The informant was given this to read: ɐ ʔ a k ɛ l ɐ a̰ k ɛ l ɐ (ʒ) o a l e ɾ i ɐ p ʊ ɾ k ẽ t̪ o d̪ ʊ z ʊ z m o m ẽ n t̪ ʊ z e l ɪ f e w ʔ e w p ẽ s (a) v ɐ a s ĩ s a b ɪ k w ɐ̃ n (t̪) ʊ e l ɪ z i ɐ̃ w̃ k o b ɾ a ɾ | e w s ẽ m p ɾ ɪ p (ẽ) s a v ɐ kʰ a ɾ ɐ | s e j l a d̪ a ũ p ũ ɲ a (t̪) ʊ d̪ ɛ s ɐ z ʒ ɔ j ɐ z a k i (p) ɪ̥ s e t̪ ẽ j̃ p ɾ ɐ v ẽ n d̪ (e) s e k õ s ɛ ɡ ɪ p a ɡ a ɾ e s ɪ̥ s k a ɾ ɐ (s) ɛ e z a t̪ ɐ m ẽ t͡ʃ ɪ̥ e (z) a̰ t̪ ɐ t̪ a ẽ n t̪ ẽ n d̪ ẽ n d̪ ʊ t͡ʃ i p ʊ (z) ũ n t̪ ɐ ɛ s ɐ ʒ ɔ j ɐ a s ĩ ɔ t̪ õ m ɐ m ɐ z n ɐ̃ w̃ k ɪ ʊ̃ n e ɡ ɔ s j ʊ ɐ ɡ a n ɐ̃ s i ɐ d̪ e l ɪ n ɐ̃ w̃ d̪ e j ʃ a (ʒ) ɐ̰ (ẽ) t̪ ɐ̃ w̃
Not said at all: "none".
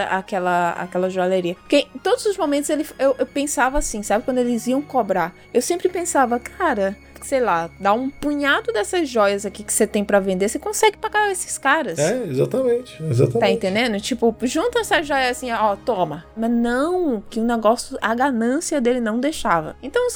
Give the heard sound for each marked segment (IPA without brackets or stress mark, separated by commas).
ʒ, a, d̪, ẽ, d̪, k, e, s, z, ʒ, v, ẽ